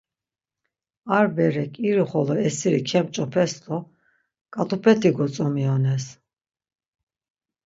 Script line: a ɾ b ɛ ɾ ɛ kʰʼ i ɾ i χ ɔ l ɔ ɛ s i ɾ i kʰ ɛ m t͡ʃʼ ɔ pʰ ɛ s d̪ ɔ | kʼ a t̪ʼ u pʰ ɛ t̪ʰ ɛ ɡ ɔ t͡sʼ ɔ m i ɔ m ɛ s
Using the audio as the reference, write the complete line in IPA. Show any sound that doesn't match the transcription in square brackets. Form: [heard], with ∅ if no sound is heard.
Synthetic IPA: a ɾ b ɛ ɾ ɛ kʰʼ i ɾ i χ ɔ l ɔ ɛ s i ɾ i kʰ ɛ m t͡ʃʼ ɔ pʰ ɛ s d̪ ɔ | kʼ a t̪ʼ u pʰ ɛ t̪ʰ [i] ɡ ɔ t͡sʼ ɔ m i ɔ [n] ɛ s